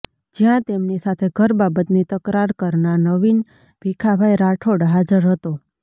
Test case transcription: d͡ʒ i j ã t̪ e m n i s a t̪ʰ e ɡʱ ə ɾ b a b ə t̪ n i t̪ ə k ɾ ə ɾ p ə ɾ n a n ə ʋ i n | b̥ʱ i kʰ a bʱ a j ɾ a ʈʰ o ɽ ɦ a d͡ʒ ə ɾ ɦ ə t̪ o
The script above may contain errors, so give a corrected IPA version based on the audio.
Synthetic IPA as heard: d͡ʒ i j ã t̪ e m n i s a t̪ʰ e ɡʱ ə ɾ b a b ə t̪ n i t̪ ə k ɾ a ɾ k ə ɾ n a n ə ʋ i n | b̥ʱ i kʰ a bʱ a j ɾ a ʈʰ o ɽ ɦ a d͡ʒ ə ɾ ɦ ə t̪ o